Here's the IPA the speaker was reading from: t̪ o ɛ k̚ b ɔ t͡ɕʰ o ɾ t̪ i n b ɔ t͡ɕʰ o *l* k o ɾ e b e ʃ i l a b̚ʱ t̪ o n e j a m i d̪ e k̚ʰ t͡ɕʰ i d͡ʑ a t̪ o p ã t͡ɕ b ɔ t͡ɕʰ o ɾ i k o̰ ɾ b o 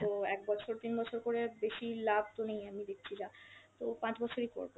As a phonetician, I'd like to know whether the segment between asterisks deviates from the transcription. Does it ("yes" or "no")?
yes